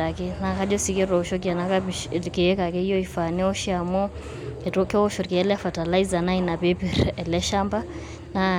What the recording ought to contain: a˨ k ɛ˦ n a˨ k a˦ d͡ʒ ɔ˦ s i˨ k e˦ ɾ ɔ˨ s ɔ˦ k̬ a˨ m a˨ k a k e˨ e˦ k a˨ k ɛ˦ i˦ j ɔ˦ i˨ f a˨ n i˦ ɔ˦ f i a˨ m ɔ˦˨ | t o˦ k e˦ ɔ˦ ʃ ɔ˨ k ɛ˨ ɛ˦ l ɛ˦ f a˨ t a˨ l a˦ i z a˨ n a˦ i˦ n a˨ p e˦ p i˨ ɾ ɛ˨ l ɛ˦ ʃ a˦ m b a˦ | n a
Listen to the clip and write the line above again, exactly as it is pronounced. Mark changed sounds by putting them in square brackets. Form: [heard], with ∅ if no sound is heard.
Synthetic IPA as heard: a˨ k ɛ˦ n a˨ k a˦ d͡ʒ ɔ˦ s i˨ k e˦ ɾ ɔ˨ [ʃ] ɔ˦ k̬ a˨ [n] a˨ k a k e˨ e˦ k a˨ k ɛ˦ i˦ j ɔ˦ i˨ f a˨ n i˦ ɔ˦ [ʃ] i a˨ m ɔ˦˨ | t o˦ k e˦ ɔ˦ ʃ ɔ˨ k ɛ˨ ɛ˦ l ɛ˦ f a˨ t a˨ l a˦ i z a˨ n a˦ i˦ n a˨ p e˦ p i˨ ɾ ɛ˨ l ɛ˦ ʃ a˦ m b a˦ | n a